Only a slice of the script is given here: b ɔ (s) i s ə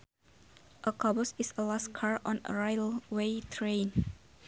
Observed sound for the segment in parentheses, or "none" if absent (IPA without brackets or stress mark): s